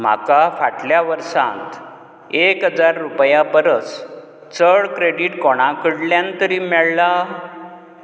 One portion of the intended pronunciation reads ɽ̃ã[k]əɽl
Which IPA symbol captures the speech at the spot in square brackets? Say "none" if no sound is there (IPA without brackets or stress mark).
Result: k